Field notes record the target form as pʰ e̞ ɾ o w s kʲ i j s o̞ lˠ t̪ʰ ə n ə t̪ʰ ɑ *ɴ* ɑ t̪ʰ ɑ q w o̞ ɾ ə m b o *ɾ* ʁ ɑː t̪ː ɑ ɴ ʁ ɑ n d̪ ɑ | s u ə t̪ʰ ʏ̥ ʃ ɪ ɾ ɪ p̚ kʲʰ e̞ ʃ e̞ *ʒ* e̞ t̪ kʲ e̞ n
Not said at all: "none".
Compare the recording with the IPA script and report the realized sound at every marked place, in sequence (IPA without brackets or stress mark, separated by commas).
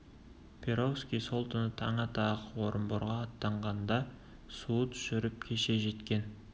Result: ɴ, ɾ, ʒ